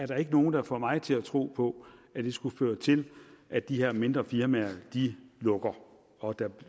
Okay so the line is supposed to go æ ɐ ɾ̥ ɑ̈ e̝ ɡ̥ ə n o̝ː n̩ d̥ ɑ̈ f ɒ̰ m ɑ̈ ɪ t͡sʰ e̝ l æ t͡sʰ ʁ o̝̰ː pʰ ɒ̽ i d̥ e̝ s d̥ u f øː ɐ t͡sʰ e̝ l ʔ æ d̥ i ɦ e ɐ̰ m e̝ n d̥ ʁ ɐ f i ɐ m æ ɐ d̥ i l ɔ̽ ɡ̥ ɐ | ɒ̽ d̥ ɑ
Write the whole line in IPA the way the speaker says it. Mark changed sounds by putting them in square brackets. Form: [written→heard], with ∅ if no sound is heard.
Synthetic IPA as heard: æ ɐ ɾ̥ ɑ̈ e̝ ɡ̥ ə n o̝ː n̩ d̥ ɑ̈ f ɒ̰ m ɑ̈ ɪ t͡sʰ e̝ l æ t͡sʰ ʁ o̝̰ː pʰ ɒ̽ [i→æ] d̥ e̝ s [d̥→ɡ̥] u f øː ɐ t͡sʰ e̝ l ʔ æ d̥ i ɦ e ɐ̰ m e̝ n d̥ ʁ ɐ f i ɐ m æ ɐ d̥ i l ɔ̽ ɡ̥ ɐ | ɒ̽ d̥ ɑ